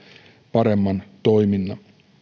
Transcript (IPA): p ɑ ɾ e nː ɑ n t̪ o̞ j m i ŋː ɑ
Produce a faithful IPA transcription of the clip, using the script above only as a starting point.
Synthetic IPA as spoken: p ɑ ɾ e mː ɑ n t̪ o̞ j m i nː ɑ